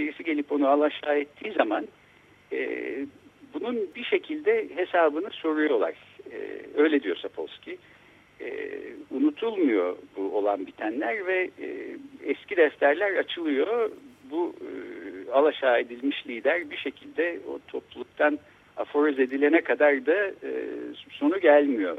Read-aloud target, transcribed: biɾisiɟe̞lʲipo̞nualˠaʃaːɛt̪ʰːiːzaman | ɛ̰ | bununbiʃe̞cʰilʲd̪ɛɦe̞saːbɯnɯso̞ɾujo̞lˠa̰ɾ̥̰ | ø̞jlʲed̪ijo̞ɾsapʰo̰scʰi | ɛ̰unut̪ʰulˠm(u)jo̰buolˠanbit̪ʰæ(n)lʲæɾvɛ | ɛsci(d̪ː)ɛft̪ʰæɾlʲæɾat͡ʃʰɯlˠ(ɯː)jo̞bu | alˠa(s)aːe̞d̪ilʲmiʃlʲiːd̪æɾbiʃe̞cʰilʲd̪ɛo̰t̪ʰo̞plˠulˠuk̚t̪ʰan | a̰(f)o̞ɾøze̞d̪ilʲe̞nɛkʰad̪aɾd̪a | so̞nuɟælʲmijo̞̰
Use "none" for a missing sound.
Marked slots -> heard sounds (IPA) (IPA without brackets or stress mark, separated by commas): u, n, d̪, ɯ, ʃ, f